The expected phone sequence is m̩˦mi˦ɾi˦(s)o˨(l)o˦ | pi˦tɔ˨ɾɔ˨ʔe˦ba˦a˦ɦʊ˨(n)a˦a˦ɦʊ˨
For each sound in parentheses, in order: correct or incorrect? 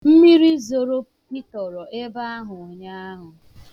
incorrect, incorrect, incorrect

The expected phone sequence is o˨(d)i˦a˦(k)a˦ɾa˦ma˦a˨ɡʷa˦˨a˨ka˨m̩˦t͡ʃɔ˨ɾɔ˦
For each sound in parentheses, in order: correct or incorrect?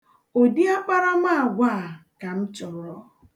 correct, incorrect

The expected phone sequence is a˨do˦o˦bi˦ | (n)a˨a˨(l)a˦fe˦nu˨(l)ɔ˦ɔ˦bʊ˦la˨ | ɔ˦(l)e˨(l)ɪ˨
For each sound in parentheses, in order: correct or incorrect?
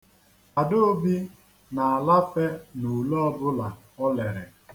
correct, correct, correct, correct, incorrect

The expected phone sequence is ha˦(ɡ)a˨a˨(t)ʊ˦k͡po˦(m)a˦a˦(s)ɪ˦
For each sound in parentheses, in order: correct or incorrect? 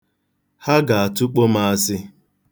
correct, correct, correct, correct

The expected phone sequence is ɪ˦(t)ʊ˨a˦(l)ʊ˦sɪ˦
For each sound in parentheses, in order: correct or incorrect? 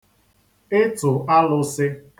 correct, correct

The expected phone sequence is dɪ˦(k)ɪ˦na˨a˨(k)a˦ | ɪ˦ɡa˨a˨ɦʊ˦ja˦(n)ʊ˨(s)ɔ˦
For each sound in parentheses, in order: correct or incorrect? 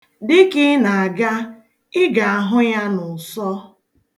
correct, incorrect, correct, correct

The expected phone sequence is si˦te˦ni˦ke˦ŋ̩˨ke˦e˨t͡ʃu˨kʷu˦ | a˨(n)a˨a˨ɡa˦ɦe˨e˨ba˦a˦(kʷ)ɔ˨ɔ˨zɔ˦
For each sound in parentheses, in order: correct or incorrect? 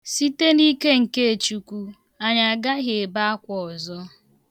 incorrect, correct

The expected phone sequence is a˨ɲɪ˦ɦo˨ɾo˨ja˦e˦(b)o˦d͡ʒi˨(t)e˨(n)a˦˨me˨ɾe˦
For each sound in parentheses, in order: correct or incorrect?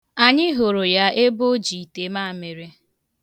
correct, correct, incorrect

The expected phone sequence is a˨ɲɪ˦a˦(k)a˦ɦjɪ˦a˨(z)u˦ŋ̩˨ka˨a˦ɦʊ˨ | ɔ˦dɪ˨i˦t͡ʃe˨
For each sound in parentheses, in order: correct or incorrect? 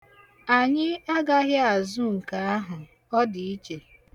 incorrect, correct

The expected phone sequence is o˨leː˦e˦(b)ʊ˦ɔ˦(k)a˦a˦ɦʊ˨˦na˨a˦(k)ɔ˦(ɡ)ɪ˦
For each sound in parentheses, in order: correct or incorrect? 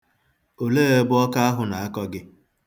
correct, correct, correct, correct

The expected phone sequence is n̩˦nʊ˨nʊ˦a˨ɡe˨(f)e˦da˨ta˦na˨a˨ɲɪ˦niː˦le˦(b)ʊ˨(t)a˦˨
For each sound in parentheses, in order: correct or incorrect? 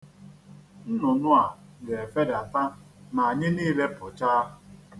correct, incorrect, incorrect

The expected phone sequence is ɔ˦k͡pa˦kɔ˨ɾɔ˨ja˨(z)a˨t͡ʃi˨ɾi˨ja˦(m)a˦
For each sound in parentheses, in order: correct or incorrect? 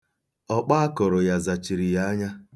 correct, incorrect

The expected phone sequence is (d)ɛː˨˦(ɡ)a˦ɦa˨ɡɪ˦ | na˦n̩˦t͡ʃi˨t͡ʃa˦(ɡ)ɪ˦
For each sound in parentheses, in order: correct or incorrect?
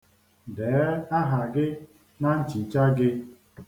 correct, incorrect, correct

